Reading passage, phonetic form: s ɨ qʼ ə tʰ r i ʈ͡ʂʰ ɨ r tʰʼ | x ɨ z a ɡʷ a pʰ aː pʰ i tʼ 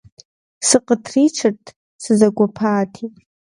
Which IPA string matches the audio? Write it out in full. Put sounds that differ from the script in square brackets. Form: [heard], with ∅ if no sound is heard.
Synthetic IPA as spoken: s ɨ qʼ ə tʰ r i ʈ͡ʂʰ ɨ r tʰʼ | [s] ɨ z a ɡʷ a pʰ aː [tʰ] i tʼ